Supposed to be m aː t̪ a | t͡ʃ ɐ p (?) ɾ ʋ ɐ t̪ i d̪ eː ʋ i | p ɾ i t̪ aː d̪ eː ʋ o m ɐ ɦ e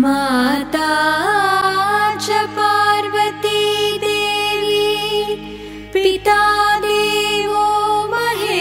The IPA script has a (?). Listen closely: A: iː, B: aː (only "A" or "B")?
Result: B